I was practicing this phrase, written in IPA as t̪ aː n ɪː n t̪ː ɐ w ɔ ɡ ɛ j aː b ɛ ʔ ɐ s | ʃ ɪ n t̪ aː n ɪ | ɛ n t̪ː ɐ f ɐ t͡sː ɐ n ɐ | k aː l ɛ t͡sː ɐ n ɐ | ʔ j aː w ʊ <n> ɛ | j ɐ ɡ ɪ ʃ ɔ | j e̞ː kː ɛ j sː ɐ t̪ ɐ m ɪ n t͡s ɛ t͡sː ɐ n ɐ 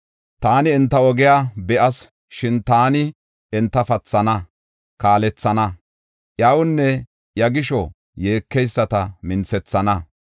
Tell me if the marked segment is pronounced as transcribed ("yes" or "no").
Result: no